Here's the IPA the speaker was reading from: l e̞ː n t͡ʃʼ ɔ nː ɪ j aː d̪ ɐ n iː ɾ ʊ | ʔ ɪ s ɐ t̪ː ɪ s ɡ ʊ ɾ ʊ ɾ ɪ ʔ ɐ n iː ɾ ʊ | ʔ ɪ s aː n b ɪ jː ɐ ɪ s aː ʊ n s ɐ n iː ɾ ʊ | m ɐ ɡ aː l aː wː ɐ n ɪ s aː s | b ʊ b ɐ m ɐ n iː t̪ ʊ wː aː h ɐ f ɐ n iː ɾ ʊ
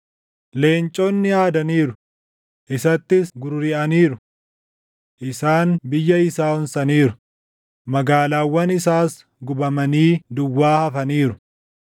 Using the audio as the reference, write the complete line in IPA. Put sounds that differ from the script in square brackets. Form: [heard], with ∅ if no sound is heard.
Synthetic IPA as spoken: l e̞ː n t͡ʃʼ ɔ nː ɪ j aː d̪ ɐ n iː ɾ ʊ | ʔ ɪ s ɐ t̪ː ɪ s ɡ ʊ ɾ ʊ ɾ ɪ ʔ ɐ n iː ɾ ʊ | ʔ ɪ s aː n b ɪ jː ɐ ɪ s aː ʊ n s ɐ n iː ɾ ʊ | m ɐ ɡ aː l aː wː ɐ n ɪ s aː s | [ɡ] ʊ b ɐ m ɐ n iː [d̪] ʊ wː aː h ɐ f ɐ n iː ɾ ʊ